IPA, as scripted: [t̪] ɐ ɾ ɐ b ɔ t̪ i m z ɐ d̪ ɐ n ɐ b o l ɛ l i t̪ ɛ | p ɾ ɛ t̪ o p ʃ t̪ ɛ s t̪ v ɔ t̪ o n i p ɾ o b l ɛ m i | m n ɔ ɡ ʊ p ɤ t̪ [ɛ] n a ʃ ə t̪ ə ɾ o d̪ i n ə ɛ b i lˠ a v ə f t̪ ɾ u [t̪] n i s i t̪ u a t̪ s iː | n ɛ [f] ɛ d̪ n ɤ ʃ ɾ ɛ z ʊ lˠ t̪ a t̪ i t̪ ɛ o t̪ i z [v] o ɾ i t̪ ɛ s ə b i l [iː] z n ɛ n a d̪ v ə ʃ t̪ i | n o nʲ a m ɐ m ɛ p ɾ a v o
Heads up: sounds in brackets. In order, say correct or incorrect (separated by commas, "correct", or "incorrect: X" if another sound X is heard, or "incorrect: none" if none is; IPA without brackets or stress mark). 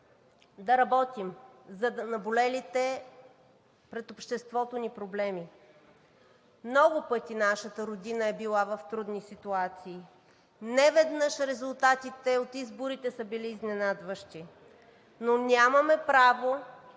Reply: incorrect: d̪, incorrect: i, incorrect: d̪, incorrect: v, incorrect: b, correct